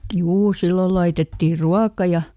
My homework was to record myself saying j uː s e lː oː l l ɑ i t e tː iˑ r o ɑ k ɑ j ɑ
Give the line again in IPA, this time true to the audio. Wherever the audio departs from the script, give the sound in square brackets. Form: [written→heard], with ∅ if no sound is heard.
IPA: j uː s [e→i] lː [oː→o] l l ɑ i t e tː iˑ r [o→u] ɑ k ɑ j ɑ